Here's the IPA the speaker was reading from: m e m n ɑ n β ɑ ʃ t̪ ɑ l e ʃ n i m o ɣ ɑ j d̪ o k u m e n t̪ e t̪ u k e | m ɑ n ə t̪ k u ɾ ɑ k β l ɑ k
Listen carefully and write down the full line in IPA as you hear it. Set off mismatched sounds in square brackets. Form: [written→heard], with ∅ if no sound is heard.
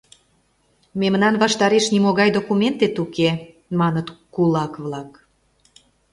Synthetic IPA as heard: m e m n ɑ n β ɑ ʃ t̪ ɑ [l→ɾ] e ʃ n i m o ɣ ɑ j d̪ o k u m e n t̪ e t̪ u k e | m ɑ n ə t̪ k u [ɾ→l] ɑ k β l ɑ k